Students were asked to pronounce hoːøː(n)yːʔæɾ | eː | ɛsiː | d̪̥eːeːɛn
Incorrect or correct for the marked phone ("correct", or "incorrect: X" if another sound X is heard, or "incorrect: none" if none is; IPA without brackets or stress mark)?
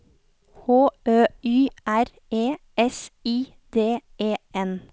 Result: incorrect: none